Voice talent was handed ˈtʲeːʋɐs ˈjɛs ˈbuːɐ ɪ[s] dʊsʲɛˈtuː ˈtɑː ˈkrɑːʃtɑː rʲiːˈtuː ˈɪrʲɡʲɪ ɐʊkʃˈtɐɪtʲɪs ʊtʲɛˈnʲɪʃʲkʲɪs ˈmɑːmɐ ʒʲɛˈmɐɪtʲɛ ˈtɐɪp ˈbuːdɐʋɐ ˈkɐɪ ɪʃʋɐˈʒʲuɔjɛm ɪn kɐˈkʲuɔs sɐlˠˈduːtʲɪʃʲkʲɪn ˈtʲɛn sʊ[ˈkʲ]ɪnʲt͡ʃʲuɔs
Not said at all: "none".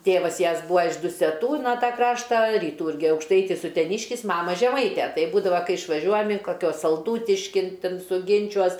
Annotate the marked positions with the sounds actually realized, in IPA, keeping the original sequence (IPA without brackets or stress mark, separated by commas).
ʃ, ɡʲ